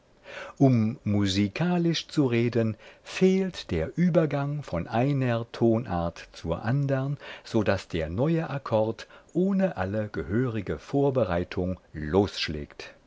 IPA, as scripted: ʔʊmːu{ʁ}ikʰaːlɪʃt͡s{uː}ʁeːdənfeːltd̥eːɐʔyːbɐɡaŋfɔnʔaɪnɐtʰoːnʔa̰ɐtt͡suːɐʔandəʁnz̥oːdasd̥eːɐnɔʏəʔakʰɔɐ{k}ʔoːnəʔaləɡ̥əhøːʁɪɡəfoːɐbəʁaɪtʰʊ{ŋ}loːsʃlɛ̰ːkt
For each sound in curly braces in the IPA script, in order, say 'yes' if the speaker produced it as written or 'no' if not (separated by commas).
no, no, no, yes